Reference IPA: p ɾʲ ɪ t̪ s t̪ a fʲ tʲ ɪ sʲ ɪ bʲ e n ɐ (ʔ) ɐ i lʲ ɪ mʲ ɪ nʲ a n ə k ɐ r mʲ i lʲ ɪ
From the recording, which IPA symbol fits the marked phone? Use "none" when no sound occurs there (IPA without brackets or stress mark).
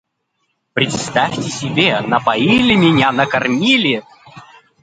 p